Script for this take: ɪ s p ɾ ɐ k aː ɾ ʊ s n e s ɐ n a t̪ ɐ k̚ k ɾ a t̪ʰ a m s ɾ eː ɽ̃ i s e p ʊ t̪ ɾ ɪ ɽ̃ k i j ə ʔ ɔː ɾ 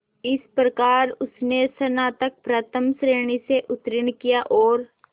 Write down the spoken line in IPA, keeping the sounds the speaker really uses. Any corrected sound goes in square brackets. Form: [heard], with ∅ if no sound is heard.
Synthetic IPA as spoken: ɪ s p ɾ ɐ k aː ɾ ʊ s n e s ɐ n a t̪ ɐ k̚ [p] ɾ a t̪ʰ [ə] m s ɾ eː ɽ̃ i s e [ʔ] ʊ t̪ ɾ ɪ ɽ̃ k i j [a] ʔ ɔː ɾ